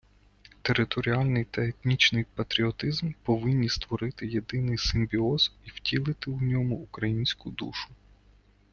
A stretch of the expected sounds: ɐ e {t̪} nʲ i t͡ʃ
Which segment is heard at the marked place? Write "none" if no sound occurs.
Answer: t̪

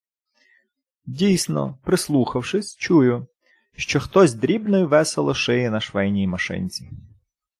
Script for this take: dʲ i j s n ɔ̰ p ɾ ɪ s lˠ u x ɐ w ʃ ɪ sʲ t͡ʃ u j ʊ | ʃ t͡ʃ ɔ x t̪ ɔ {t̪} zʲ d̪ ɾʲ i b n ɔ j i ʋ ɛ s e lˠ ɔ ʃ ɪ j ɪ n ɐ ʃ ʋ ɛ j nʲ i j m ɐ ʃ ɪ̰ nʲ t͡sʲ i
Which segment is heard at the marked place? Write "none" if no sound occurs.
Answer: none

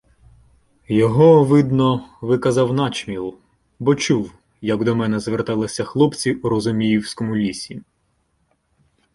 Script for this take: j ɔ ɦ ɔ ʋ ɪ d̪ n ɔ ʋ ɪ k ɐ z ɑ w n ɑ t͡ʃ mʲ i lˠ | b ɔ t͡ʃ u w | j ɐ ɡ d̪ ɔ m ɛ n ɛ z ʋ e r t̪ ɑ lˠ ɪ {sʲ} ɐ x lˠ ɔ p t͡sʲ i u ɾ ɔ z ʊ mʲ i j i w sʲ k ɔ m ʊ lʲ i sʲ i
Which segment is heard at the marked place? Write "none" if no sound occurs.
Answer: sʲ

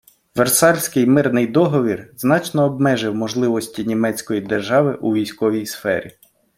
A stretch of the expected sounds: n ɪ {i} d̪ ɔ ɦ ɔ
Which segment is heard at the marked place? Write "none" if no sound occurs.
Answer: j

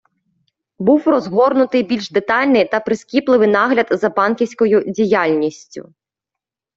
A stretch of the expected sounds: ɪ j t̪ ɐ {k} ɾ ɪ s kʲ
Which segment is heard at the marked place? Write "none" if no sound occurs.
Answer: p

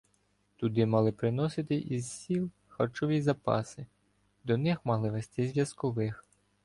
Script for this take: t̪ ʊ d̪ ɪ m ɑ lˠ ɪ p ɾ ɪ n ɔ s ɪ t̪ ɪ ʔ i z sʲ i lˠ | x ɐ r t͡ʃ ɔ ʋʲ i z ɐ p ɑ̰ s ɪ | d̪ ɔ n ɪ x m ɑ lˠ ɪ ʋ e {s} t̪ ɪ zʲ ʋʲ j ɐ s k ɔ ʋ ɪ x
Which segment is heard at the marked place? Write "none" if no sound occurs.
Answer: s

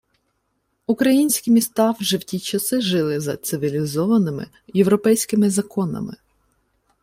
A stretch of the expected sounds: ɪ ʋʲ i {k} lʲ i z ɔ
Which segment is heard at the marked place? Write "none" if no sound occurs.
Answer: none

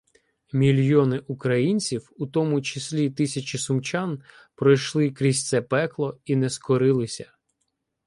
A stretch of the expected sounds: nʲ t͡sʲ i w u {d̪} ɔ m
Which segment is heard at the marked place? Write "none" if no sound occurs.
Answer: t̪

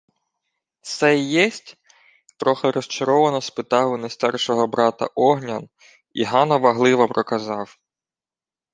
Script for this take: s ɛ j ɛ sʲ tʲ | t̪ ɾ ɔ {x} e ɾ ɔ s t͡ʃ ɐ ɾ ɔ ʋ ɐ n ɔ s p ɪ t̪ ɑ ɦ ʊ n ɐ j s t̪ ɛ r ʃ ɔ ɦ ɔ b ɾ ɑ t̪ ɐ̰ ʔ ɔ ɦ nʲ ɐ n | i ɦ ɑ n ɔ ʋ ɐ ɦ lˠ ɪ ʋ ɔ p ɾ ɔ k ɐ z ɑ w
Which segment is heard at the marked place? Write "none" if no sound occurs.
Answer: x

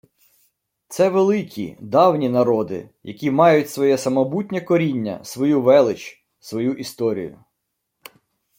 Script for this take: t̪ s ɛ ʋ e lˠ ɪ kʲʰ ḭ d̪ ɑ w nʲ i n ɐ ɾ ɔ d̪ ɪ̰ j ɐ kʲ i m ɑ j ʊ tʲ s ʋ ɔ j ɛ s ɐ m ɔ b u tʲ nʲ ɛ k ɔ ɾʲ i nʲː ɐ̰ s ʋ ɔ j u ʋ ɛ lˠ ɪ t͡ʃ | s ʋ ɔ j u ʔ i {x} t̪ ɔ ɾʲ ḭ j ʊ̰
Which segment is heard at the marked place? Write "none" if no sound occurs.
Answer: s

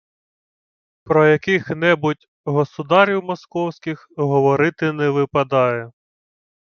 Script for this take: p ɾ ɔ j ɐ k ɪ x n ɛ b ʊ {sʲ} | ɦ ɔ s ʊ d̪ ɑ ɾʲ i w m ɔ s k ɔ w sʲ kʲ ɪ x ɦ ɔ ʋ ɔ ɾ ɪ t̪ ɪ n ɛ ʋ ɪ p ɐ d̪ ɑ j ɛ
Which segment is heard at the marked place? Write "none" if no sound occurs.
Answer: tʲ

